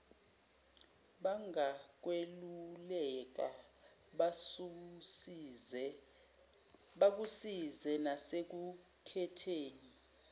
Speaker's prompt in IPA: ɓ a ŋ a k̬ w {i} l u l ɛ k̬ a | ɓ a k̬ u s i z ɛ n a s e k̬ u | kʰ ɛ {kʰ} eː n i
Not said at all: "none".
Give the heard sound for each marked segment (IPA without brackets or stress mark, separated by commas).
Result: e, tʰ